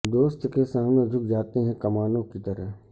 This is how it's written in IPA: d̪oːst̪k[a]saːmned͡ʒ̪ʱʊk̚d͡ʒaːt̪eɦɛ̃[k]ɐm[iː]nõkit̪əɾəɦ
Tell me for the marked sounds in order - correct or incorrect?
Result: incorrect, correct, incorrect

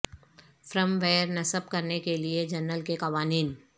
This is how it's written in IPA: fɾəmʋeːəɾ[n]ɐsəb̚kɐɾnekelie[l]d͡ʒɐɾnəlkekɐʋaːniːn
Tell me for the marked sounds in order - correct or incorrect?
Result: correct, incorrect

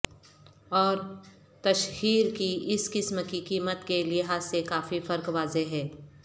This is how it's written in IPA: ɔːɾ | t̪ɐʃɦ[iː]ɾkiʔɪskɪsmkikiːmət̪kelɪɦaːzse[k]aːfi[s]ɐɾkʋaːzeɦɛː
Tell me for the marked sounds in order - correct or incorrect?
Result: correct, correct, incorrect

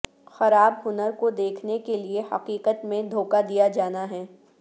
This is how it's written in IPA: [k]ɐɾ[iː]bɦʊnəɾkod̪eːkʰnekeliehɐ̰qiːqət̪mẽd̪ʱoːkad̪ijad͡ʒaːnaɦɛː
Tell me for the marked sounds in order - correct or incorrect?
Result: incorrect, incorrect

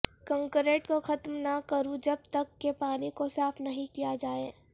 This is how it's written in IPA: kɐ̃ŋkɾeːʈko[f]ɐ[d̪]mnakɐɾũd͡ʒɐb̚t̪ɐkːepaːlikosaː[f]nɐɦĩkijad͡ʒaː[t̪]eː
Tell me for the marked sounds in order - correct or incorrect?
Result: incorrect, incorrect, correct, incorrect

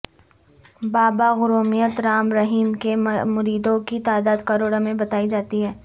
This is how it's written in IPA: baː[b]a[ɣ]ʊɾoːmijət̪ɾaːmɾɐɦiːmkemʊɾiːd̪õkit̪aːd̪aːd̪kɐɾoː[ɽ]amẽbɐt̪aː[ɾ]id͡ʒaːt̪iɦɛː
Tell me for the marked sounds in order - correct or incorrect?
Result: correct, correct, correct, incorrect

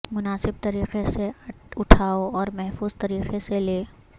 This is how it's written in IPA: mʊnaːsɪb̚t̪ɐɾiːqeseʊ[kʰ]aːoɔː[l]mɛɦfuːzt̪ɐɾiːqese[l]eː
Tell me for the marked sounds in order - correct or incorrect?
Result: incorrect, incorrect, correct

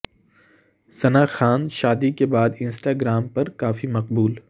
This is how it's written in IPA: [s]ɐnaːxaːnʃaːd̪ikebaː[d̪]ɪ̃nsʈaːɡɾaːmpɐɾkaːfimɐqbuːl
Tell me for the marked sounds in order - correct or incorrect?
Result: correct, correct

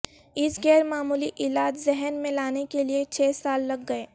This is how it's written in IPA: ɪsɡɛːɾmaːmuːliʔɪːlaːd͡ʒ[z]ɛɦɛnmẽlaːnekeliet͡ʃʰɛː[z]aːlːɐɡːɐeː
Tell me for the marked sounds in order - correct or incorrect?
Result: correct, incorrect

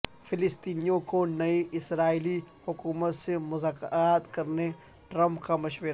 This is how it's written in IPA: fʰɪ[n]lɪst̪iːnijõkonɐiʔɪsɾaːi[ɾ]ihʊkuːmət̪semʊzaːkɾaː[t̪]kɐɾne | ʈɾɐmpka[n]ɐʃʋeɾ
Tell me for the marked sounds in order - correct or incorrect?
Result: incorrect, incorrect, correct, incorrect

